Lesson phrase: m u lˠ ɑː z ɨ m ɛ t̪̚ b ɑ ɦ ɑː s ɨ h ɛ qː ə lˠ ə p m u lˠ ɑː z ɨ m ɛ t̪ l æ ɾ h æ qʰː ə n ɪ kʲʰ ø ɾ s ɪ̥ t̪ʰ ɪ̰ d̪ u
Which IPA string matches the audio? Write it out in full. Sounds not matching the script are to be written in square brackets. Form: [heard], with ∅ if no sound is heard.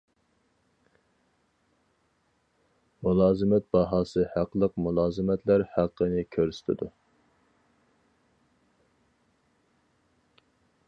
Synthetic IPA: m u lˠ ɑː z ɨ m ɛ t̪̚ b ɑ ɦ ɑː s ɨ h [æ] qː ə lˠ ə [q] m u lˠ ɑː z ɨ m ɛ t̪ l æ ɾ h æ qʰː ə n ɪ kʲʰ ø ɾ s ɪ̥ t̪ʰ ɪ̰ d̪ u